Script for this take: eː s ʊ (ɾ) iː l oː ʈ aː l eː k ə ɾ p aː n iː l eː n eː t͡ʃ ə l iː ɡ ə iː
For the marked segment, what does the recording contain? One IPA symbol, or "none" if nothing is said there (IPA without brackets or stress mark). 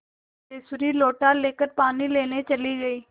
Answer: ɾ